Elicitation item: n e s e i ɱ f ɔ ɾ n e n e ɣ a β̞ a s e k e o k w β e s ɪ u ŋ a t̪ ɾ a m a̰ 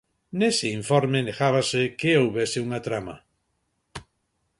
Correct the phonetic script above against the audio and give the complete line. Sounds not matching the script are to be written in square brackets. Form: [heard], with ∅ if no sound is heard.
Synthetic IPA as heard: n e s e i ɱ f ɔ ɾ [m] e n e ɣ a β̞ a s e k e o [∅] w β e s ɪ u ŋ a t̪ ɾ a m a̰

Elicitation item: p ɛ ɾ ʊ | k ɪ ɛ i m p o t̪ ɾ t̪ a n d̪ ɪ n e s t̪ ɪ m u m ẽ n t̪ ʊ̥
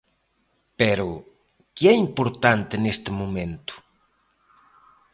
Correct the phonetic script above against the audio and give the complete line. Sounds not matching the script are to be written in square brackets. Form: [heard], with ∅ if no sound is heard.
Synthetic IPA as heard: p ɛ ɾ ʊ | k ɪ ɛ i m p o [∅] ɾ t̪ a n [t̪] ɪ n e s t̪ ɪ m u m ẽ n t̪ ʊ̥

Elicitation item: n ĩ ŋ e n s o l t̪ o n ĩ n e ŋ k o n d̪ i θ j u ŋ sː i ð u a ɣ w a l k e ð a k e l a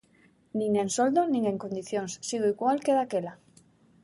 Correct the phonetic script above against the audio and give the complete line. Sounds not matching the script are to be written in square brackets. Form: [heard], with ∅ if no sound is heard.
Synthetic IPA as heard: n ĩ ŋ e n s o l [d̪] o n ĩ [ŋ] e ŋ k o n d̪ i θ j [o] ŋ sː i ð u [i] ɣ w a l k e ð a k e l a

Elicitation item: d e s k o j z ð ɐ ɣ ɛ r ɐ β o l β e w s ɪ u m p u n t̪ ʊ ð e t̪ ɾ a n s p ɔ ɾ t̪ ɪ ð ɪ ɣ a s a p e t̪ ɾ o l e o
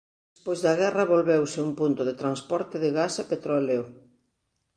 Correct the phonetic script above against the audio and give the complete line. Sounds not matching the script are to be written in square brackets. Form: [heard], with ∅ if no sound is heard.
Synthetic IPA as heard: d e s [p] o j z ð ɐ ɣ ɛ r ɐ β o l β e w s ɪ u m p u n t̪ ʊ ð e t̪ ɾ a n s p ɔ ɾ t̪ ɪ ð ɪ ɣ a s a p e t̪ ɾ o l e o

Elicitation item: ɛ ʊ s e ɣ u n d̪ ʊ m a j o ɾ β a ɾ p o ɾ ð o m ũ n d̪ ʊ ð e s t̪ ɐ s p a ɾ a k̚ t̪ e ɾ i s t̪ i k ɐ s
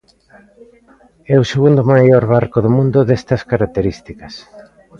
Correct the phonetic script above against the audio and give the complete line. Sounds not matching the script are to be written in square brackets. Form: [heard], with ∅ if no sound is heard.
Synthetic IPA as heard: ɛ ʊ s e ɣ u n d̪ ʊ m a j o ɾ β a ɾ [k] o [∅] ð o m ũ n d̪ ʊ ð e s t̪ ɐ s [k] a ɾ a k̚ t̪ e ɾ i s t̪ i k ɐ s

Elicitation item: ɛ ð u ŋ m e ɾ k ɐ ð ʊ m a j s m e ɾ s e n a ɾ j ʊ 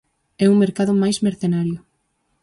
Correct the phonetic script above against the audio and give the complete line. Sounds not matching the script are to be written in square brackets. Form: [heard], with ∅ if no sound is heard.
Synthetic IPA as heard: ɛ [∅] u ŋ m e ɾ k [a] ð ʊ m a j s m e ɾ [θ] e n a ɾ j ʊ

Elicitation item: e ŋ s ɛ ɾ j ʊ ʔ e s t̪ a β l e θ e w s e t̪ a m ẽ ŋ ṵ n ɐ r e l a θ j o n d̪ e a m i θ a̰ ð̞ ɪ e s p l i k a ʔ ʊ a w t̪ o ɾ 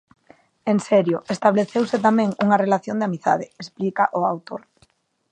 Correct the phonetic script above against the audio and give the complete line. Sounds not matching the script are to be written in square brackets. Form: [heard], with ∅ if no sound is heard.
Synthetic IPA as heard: e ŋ s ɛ ɾ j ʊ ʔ e s t̪ a β l e θ e w s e t̪ a m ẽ ŋ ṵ [ŋ] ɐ r e l a θ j o n d̪ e a m i θ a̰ ð̞ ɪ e s p l i k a ʔ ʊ a w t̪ o ɾ

